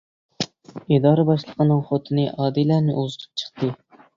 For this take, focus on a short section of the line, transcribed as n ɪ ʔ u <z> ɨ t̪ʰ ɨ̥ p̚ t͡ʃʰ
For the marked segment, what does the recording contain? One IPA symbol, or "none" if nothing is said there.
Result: z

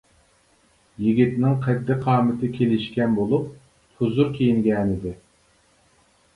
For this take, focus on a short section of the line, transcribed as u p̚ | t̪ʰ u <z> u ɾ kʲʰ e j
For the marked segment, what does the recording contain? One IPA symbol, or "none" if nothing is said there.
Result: z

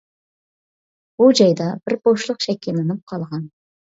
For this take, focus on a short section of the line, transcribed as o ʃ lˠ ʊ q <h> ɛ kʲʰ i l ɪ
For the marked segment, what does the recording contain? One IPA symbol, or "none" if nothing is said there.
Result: ʃ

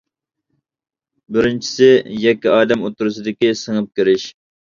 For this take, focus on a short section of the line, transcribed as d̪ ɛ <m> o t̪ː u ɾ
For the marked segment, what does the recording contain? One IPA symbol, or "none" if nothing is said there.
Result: m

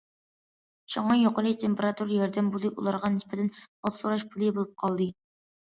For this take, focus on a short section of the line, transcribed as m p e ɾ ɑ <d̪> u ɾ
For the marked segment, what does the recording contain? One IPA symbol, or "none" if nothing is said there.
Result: t̪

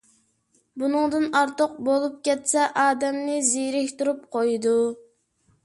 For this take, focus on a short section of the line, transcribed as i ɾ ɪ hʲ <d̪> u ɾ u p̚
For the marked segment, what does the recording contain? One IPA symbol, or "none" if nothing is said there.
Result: t̪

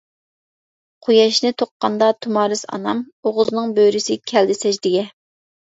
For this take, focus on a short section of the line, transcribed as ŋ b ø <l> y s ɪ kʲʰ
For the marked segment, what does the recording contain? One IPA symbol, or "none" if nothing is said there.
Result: ɾ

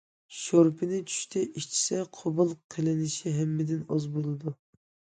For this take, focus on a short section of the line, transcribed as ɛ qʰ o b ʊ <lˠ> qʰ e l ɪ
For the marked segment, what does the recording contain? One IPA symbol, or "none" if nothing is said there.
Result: lˠ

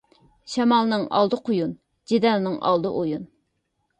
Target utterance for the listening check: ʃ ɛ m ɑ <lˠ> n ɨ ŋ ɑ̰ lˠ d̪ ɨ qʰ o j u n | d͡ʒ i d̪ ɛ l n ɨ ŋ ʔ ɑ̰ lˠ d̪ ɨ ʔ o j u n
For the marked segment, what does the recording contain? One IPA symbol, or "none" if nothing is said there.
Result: lˠ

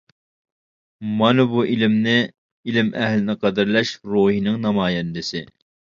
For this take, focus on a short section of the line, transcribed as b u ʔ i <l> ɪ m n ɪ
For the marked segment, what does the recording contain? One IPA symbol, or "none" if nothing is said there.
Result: l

